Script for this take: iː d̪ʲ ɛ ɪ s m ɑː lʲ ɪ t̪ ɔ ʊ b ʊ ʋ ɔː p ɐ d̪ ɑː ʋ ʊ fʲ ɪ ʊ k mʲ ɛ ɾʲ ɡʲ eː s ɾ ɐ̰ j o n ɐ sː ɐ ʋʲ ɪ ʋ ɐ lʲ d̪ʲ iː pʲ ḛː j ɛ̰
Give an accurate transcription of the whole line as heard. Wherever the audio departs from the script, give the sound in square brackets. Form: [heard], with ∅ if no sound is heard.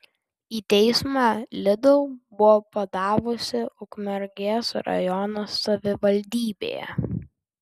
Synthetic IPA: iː [t̪ʲ] ɛ ɪ s m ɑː lʲ ɪ [d̪] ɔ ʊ b ʊ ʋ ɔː p ɐ d̪ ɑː ʋ ʊ [sʲ] ɪ ʊ k mʲ ɛ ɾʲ ɡʲ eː s ɾ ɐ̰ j [ɔ] n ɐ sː ɐ ʋʲ ɪ ʋ ɐ lʲ d̪ʲ iː [bʲ] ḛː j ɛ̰

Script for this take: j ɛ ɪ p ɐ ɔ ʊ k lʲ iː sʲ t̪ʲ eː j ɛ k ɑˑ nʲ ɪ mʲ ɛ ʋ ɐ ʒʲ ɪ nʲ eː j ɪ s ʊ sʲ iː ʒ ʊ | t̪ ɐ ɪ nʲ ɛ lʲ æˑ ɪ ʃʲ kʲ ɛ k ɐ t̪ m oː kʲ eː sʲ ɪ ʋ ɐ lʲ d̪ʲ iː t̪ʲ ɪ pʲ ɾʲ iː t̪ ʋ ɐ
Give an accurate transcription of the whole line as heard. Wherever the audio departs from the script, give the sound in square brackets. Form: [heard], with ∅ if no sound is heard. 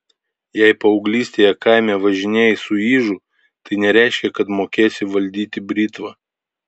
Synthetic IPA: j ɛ ɪ p ɐ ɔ ʊ [ɡ] lʲ iː sʲ t̪ʲ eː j ɛ k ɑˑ [∅] ɪ mʲ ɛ ʋ ɐ ʒʲ ɪ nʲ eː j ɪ s ʊ [∅] iː ʒ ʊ | t̪ ɐ ɪ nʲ ɛ [ɾʲ] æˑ ɪ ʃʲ kʲ ɛ k ɐ t̪ m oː kʲ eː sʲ ɪ ʋ ɐ lʲ d̪ʲ iː t̪ʲ ɪ [bʲ] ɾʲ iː t̪ ʋ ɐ

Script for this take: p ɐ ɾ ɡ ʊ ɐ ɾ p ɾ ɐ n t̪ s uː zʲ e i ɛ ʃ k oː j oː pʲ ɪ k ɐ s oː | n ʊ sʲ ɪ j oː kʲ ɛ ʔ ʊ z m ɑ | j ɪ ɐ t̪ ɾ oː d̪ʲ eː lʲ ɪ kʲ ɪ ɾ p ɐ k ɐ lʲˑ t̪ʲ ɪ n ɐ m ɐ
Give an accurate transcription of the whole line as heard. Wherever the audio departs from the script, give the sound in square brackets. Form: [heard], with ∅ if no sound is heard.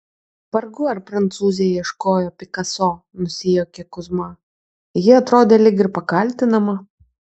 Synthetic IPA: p ɐ ɾ ɡ ʊ ɐ ɾ p ɾ ɐ n t̪ s uː zʲ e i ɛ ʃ k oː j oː pʲ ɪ k ɐ s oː | n ʊ sʲ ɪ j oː kʲ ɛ [k] ʊ z m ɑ | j ɪ ɐ t̪ ɾ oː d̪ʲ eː lʲ ɪ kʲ ɪ ɾ p ɐ k ɐ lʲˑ t̪ʲ ɪ n ɐ m ɐ

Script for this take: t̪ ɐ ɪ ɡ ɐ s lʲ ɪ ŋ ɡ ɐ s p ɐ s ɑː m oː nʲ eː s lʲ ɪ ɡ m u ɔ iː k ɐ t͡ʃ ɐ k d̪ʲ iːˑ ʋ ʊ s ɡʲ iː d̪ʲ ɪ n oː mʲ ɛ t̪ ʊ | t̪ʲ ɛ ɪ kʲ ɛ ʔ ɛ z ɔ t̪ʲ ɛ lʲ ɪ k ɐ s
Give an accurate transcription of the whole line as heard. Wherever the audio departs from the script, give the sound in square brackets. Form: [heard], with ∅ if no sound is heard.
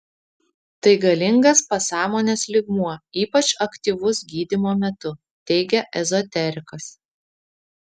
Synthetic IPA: t̪ ɐ ɪ ɡ ɐ [∅] lʲ ɪ ŋ ɡ ɐ s p ɐ s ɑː m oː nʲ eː s lʲ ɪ ɡ m u ɔ iː [p] ɐ t͡ʃ ɐ k [t̪ʲ] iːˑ ʋ ʊ s ɡʲ iː d̪ʲ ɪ [m] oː mʲ ɛ t̪ ʊ | t̪ʲ ɛ ɪ [ɡʲ] ɛ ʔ ɛ z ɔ t̪ʲ ɛ [ɾʲ] ɪ k ɐ s

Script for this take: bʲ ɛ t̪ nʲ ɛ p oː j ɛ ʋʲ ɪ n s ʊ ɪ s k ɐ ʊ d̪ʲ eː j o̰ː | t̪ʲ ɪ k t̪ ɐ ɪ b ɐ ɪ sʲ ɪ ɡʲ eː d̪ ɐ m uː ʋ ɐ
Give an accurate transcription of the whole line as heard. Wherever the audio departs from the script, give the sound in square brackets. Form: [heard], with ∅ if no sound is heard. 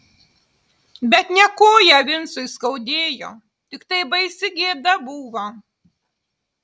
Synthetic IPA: bʲ ɛ t̪ nʲ ɛ [k] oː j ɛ ʋʲ ɪ n s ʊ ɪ s k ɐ ʊ d̪ʲ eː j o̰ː | t̪ʲ ɪ k t̪ ɐ ɪ b ɐ ɪ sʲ ɪ ɡʲ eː d̪ ɐ [b] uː ʋ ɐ

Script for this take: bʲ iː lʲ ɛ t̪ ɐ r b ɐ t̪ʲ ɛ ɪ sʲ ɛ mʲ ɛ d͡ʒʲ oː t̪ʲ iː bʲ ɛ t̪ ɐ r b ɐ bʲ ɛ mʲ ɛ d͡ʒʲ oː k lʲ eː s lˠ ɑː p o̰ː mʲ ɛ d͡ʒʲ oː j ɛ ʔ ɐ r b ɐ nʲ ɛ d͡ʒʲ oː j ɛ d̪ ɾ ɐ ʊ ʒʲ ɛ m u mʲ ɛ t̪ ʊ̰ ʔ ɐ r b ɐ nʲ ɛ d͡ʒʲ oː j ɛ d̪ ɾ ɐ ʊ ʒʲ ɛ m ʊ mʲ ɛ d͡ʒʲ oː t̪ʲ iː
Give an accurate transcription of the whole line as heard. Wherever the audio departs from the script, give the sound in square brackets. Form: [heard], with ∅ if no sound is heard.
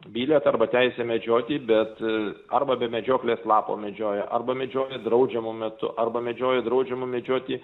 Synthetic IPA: bʲ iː lʲ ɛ t̪ ɐ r b ɐ t̪ʲ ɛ ɪ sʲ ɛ mʲ ɛ d͡ʒʲ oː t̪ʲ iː bʲ ɛ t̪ ɐ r b ɐ bʲ ɛ mʲ ɛ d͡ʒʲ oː k lʲ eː s lˠ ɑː p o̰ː mʲ ɛ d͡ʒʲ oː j ɛ ʔ ɐ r b ɐ [mʲ] ɛ d͡ʒʲ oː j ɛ d̪ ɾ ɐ ʊ [d͡ʒʲ] ɛ m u mʲ ɛ t̪ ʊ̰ ʔ ɐ r b ɐ [mʲ] ɛ d͡ʒʲ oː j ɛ d̪ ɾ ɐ ʊ [d͡ʒʲ] ɛ m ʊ mʲ ɛ d͡ʒʲ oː t̪ʲ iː

